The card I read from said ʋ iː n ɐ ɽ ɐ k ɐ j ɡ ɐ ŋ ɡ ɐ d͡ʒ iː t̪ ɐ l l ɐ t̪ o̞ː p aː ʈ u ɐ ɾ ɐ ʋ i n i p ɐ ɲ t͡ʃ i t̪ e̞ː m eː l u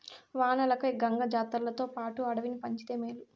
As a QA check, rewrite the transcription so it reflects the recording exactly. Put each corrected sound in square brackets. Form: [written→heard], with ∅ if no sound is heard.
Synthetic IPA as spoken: ʋ [iː→aː] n ɐ [ɽ→l] ɐ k ɐ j ɡ ɐ ŋ ɡ ɐ d͡ʒ [iː→aː] t̪ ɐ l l ɐ t̪ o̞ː p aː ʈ u ɐ [ɾ→ɽ] ɐ ʋ i n i p ɐ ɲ t͡ʃ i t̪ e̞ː m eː l u

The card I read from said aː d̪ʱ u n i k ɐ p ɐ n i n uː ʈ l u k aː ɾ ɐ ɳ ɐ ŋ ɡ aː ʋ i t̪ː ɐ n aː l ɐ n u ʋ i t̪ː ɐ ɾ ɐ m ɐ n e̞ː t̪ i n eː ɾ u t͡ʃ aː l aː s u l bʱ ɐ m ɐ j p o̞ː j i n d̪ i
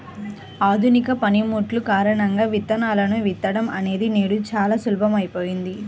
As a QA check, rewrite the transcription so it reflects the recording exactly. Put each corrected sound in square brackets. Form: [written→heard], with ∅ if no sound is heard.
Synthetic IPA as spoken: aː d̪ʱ u n i k ɐ p ɐ n i [n→m] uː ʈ l u k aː ɾ ɐ ɳ ɐ ŋ ɡ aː ʋ i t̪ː ɐ n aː l ɐ n u ʋ i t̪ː ɐ [ɾ→ɽ] ɐ m ɐ n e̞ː [t̪→d̪] i n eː [ɾ→ɽ] u t͡ʃ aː l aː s u l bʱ ɐ m ɐ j p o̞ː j i n d̪ i

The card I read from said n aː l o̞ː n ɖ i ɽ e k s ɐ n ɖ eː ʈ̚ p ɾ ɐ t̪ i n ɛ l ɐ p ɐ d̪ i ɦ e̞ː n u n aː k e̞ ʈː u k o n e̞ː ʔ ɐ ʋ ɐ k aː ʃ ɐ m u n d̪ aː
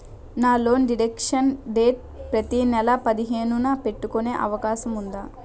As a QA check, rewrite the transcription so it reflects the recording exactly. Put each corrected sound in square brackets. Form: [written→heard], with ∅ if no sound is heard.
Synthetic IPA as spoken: n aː l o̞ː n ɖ i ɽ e k [s→ʂ] ɐ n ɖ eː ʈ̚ p ɾ ɐ t̪ i n ɛ l ɐ p ɐ d̪ i ɦ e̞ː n u n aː [k→p] e̞ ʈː u k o n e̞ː ʔ ɐ ʋ ɐ k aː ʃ ɐ m u n d̪ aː

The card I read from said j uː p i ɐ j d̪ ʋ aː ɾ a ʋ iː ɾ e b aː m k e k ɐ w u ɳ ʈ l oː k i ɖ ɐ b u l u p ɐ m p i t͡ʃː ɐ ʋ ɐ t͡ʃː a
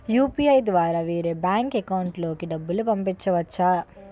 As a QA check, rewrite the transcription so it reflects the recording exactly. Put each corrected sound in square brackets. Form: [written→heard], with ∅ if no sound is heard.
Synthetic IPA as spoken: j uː p i ɐ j d̪ ʋ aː ɾ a ʋ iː ɾ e b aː [m→ŋ] k e k ɐ w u ɳ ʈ l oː k i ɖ ɐ [b→bː] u l u p ɐ m p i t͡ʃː ɐ ʋ ɐ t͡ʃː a

